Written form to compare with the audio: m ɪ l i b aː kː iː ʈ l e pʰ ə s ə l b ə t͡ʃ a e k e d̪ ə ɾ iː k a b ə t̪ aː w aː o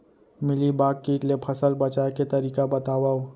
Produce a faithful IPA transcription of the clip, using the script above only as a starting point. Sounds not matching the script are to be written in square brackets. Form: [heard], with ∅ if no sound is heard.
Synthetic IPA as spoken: m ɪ l i b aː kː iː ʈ l e pʰ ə s ə l b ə t͡ʃ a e k e [t̪] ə ɾ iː k a b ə t̪ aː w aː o